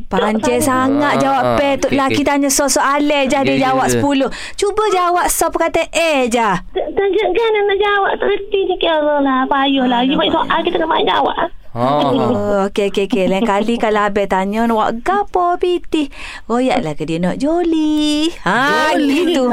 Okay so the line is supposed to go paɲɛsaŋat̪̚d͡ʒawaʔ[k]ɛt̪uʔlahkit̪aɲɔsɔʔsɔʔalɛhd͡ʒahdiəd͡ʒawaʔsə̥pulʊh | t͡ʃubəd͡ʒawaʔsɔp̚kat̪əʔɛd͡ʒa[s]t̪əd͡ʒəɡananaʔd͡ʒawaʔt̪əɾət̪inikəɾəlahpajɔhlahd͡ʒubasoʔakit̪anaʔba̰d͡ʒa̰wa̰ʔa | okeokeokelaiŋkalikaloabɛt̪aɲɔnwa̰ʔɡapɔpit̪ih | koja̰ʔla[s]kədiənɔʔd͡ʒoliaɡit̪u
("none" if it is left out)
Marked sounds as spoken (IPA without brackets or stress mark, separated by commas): p, h, h